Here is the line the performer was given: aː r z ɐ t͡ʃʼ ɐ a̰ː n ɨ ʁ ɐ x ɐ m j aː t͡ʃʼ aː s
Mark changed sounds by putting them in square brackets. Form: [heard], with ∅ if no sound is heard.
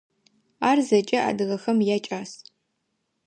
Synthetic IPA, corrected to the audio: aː r z ɐ t͡ʃʼ ɐ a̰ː [d] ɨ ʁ ɐ x ɐ m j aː t͡ʃʼ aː s